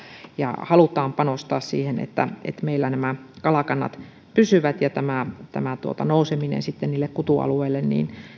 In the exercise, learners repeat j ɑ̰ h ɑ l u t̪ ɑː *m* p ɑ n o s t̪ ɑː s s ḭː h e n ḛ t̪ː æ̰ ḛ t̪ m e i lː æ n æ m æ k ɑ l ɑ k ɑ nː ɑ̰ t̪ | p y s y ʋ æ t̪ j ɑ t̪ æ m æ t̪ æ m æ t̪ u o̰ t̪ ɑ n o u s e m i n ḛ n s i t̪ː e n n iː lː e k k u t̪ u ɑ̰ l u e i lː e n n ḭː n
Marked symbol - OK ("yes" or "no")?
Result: yes